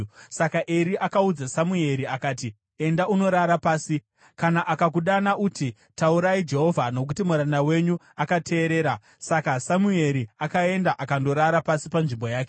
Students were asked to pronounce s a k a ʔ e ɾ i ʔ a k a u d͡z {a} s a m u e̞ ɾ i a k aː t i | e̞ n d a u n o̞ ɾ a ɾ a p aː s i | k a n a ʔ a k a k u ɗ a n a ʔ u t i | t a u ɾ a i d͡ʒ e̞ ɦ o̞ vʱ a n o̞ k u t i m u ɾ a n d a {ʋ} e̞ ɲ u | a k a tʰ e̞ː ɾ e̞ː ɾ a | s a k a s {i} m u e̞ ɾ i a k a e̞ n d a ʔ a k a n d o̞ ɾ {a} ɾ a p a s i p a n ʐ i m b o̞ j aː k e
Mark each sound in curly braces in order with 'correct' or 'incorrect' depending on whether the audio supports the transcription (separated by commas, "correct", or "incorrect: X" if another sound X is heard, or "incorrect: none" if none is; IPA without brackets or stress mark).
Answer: correct, incorrect: w, incorrect: a, correct